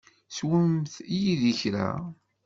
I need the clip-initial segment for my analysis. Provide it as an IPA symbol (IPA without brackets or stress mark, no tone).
s